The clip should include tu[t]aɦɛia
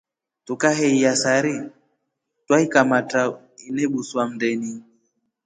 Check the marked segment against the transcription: incorrect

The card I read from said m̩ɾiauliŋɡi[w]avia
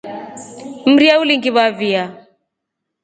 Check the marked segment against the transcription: incorrect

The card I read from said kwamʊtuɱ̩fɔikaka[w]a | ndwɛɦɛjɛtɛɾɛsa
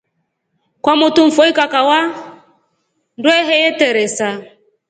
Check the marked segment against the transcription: correct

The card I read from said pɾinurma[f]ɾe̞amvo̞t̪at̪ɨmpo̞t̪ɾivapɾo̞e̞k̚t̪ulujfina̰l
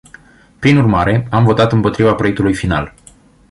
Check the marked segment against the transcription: incorrect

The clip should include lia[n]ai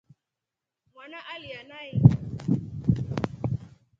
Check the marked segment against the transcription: correct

